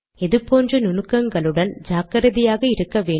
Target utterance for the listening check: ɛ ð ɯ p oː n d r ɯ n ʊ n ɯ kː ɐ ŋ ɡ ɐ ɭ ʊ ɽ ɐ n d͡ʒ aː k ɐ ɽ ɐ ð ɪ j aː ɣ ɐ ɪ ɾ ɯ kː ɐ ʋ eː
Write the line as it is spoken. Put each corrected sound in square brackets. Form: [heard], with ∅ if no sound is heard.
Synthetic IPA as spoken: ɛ ð ɯ p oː n d r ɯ n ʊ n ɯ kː ɐ ŋ ɡ ɐ ɭ [ɯ] ɽ ɐ n d͡ʒ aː k ɐ [ɾ] ɐ ð ɪ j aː ɣ ɐ ɪ ɾ ɯ kː ɐ ʋ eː